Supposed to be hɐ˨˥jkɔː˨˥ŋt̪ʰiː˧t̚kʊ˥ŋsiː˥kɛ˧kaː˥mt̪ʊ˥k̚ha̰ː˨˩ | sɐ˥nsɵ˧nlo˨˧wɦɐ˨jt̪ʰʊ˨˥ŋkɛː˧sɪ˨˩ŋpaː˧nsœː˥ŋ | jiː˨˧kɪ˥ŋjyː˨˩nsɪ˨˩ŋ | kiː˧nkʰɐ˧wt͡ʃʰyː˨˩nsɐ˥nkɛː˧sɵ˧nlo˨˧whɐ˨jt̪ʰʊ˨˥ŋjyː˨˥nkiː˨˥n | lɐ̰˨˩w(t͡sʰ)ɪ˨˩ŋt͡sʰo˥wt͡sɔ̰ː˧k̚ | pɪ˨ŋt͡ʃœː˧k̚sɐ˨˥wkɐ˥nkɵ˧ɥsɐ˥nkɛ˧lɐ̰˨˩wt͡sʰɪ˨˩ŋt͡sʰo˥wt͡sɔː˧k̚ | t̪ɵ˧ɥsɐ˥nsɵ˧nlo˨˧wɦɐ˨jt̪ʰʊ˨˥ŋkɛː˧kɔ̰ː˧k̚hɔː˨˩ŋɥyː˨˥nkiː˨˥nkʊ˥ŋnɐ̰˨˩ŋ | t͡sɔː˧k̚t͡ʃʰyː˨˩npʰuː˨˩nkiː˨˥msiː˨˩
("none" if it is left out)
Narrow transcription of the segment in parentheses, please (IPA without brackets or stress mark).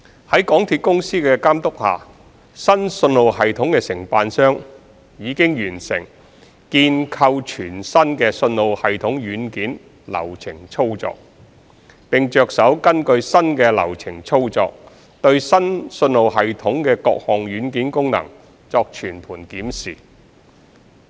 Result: t͡sʰ